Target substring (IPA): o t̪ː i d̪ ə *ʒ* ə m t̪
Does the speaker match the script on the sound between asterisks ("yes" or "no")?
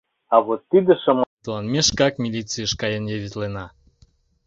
no